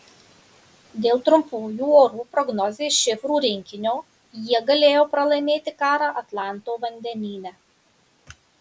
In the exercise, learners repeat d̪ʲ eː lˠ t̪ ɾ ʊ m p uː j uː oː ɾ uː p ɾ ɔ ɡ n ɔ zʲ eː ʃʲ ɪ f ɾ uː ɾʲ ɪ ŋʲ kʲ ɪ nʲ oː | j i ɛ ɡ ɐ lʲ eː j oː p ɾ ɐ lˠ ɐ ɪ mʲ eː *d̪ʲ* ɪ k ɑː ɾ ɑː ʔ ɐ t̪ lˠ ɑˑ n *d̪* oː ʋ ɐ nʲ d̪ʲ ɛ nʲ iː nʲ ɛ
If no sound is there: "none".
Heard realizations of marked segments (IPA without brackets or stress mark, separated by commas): t̪ʲ, t̪